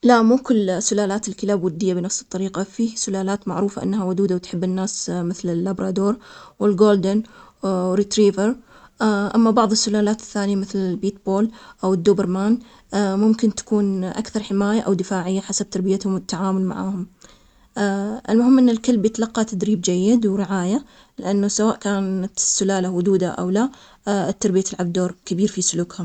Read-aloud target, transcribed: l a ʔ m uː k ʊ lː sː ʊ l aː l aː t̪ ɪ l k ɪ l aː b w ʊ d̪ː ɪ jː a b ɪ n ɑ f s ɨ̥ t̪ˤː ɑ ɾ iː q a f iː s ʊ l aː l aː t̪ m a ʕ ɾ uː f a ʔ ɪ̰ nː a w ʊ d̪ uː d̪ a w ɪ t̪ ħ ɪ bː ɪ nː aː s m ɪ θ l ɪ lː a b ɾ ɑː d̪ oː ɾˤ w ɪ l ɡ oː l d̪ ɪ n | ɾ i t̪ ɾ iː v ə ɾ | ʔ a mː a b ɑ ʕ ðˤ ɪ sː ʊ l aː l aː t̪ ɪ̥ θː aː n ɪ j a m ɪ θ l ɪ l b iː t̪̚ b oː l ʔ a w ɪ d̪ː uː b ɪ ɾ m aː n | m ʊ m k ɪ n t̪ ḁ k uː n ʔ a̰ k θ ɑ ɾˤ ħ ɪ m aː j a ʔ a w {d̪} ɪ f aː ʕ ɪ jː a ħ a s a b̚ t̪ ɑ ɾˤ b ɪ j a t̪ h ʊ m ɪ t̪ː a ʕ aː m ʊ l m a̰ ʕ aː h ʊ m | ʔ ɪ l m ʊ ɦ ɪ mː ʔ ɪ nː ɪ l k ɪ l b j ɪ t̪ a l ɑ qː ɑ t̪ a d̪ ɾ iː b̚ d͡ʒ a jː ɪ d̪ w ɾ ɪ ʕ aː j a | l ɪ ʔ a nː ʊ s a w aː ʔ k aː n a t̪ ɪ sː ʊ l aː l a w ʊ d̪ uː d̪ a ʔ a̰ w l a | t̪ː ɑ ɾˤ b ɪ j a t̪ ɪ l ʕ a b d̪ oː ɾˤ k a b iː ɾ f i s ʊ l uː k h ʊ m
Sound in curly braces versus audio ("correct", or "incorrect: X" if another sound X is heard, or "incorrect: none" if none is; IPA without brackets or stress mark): correct